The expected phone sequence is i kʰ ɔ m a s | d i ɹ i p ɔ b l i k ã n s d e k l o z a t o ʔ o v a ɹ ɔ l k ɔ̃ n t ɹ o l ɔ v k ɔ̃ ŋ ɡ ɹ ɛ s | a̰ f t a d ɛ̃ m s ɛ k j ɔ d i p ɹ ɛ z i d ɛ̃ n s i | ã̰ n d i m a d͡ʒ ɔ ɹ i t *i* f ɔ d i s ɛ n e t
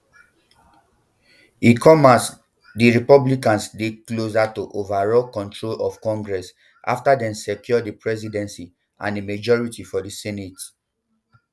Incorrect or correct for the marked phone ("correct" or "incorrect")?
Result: correct